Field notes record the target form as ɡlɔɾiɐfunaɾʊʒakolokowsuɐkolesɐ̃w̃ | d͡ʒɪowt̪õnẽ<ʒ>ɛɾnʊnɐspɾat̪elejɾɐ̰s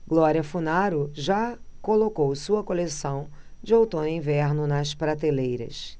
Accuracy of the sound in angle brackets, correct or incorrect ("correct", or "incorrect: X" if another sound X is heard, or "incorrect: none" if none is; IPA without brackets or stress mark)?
incorrect: v